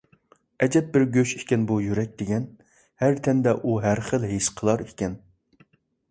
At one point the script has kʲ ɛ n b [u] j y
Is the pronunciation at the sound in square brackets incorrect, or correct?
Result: correct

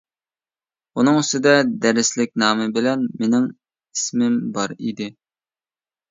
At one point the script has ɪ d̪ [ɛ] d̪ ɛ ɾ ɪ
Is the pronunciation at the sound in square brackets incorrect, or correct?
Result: correct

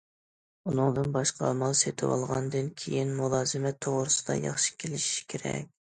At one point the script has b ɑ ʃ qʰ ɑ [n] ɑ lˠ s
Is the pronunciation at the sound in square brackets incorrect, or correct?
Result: incorrect: m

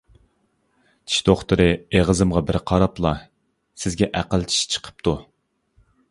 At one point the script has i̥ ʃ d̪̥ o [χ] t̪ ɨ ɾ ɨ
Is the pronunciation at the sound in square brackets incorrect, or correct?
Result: correct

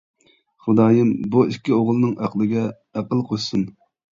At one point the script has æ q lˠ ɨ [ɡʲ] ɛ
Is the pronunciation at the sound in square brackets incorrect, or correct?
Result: correct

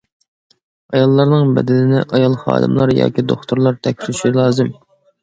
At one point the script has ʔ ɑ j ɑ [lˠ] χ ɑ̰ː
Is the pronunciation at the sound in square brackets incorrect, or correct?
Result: correct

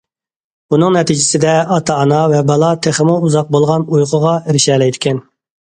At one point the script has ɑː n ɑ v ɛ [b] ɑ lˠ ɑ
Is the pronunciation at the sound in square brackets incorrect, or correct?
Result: correct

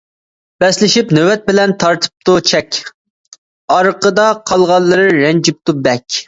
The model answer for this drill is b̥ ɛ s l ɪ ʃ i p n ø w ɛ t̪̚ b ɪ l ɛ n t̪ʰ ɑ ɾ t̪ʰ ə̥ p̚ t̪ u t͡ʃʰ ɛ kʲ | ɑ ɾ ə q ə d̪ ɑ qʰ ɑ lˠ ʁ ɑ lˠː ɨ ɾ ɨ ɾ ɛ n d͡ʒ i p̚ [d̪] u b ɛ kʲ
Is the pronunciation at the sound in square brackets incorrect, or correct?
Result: incorrect: t̪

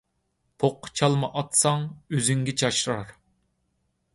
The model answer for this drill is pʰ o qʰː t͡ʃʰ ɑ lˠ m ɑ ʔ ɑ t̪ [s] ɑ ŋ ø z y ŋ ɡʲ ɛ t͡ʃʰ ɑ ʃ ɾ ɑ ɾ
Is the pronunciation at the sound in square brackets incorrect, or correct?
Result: correct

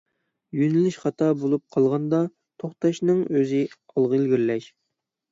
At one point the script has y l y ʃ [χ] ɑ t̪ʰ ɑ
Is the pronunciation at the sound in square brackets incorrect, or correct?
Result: correct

